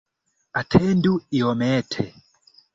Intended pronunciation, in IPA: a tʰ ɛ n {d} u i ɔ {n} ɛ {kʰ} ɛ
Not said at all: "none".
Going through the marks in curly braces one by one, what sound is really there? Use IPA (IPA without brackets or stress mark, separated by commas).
d, m, tʰ